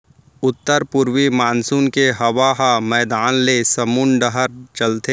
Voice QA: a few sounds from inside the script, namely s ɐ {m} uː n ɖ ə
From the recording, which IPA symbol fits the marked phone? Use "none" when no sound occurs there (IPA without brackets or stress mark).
m